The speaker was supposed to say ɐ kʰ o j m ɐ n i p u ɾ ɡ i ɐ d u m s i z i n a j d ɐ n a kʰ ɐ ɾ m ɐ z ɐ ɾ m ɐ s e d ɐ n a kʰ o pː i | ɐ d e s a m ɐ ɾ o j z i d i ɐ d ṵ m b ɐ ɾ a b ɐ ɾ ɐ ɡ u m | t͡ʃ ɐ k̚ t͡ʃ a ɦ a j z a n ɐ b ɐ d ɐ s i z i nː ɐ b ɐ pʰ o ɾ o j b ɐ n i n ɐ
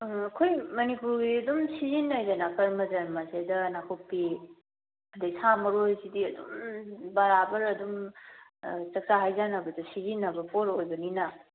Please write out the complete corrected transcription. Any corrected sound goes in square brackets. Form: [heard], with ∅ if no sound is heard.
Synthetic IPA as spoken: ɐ kʰ o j m ɐ n i p u ɾ ɡ i ɐ d u m s i z i n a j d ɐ n a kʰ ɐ ɾ m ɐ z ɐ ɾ m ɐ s e d ɐ n a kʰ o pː i | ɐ d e s a m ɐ ɾ o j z i d i ɐ d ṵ m b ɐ ɾ a b ɐ ɾ ɐ [d] u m | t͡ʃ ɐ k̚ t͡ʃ a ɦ a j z a n ɐ b ɐ d ɐ s i z i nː ɐ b ɐ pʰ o ɾ o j b ɐ n i n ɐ